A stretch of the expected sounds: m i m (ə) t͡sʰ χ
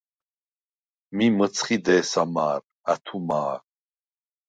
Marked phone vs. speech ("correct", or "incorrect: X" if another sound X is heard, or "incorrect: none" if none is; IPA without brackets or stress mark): correct